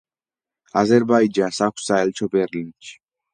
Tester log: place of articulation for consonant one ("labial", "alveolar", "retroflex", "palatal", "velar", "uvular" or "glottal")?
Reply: alveolar